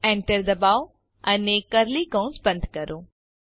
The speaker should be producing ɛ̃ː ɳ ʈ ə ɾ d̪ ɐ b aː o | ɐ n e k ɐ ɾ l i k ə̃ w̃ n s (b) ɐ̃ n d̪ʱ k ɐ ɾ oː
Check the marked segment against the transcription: correct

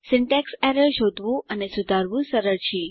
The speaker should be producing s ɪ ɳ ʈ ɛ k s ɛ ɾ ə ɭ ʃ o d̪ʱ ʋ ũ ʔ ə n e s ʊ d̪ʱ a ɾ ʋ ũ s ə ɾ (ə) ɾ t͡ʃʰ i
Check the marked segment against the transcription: correct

